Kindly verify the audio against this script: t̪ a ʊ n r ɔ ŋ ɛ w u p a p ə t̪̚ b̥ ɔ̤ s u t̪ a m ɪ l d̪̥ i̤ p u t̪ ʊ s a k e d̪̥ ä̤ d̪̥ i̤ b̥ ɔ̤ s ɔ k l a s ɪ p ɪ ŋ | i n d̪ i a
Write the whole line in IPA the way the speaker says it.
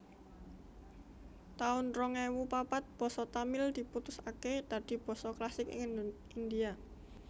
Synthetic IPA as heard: t̪ a ʊ n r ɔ ŋ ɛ w u p a p a t̪̚ b̥ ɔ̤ s ɔ t̪ a m ɪ l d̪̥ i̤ p u t̪ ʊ s a k e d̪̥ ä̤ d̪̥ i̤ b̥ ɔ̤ s ɔ k l a s ɪ k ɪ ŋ | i n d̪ i a